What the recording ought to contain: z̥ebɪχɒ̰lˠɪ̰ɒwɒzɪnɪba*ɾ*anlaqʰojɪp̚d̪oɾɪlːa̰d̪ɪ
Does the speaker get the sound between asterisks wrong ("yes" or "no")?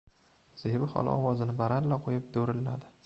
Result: no